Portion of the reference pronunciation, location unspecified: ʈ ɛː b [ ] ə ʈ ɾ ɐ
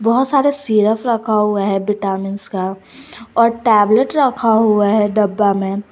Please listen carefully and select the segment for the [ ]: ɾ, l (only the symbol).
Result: l